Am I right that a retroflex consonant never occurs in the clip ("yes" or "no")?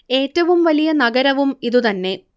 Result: yes